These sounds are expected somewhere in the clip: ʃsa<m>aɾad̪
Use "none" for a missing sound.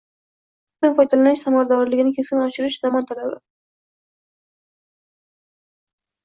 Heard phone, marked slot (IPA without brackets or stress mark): m